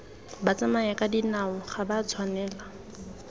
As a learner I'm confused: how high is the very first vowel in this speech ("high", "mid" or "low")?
low